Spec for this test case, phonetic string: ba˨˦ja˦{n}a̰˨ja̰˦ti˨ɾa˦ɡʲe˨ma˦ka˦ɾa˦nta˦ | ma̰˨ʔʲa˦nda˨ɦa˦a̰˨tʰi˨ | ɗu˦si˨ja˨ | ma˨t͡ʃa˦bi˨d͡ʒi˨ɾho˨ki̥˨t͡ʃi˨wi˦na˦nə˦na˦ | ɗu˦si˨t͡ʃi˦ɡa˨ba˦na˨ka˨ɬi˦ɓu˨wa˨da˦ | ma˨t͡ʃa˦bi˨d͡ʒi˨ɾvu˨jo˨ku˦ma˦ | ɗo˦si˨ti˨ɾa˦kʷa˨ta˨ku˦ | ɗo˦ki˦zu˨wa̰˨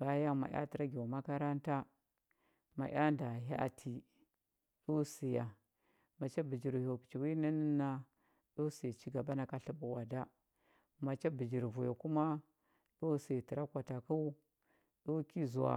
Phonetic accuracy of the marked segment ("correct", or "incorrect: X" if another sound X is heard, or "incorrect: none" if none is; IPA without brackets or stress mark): incorrect: m